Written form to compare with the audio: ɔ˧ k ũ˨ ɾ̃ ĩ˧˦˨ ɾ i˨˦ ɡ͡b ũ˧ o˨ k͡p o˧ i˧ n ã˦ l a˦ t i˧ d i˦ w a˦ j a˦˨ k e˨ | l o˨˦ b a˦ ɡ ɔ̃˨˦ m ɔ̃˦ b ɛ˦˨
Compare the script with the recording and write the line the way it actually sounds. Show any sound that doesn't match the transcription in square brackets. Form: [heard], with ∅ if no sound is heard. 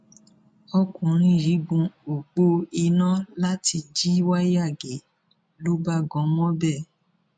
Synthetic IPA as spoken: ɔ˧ k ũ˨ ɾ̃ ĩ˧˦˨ ɾ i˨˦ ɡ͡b ũ˧ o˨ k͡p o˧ i˧ n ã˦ l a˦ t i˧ [d͡ʒ] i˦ w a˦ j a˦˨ [ɡ] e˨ | l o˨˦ b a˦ ɡ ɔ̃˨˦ m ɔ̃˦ b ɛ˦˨